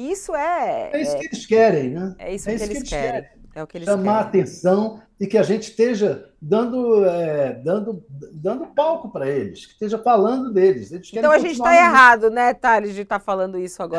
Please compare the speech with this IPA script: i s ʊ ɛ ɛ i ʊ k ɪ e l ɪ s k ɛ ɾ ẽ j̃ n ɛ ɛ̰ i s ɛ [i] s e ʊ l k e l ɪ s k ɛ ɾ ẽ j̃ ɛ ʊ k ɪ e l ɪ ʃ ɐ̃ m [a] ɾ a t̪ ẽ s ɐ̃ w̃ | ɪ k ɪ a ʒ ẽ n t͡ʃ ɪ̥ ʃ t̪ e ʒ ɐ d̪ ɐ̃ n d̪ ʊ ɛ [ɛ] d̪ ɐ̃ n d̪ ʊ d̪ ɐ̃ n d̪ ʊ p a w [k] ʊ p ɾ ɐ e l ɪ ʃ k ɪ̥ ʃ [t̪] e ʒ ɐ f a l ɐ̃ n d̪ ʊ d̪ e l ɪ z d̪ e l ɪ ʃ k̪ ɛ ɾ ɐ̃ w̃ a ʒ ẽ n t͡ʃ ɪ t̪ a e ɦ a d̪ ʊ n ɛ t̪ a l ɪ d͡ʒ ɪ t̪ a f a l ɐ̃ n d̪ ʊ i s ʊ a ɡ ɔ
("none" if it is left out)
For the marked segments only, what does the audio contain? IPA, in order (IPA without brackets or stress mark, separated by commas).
i, a, ɛ, k, t̪